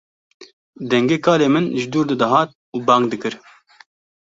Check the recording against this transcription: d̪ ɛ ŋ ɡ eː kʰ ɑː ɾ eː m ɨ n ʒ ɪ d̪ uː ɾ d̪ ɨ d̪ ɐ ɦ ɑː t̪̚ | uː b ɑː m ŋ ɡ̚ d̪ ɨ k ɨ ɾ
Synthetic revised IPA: d̪ ɛ ŋ ɡ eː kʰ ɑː l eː m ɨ n ʒ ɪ d̪ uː ɾ d̪ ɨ d̪ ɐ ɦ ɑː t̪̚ | uː b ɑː ŋ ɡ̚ d̪ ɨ k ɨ ɾ